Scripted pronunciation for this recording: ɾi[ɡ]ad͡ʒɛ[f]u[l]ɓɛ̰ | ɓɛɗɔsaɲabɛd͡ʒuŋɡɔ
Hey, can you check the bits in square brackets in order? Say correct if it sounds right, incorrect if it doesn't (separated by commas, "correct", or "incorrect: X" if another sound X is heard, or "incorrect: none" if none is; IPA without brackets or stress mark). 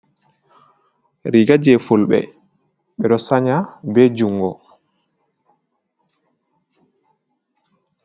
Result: correct, correct, correct